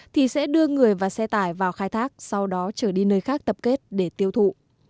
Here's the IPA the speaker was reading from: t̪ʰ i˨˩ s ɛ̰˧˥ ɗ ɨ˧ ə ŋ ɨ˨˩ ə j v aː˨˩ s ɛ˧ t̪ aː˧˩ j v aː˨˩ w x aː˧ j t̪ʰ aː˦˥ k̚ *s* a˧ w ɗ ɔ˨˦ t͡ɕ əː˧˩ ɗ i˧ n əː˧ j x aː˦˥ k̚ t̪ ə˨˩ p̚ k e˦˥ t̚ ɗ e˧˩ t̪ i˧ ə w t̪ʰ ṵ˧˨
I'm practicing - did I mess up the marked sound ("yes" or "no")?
no